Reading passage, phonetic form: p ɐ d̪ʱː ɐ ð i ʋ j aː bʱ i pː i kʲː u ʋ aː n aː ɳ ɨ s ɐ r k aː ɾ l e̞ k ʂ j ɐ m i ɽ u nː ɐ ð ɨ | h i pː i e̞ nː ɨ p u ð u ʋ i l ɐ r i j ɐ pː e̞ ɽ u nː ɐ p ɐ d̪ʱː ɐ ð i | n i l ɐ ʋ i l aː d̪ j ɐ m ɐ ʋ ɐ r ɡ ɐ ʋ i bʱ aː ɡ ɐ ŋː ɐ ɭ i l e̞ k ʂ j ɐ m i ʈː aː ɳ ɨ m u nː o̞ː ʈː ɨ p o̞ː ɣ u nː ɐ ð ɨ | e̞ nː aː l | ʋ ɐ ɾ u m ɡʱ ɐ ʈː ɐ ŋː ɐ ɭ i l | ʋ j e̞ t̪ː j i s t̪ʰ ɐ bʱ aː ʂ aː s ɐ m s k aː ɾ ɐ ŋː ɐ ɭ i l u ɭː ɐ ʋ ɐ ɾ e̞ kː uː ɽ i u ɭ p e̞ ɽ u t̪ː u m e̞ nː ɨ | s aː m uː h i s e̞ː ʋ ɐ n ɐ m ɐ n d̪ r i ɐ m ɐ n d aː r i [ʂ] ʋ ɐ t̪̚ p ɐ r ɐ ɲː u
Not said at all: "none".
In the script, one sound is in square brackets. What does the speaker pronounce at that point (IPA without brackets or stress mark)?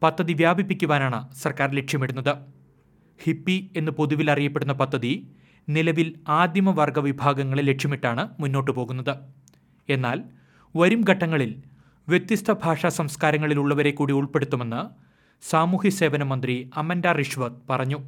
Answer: ʂ